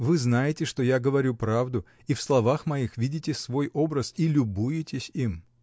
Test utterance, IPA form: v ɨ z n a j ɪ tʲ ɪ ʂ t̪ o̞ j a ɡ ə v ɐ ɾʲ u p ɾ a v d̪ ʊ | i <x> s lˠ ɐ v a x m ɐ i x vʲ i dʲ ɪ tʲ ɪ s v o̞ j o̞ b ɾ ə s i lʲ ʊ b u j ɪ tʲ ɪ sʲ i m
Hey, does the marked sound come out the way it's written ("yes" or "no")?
no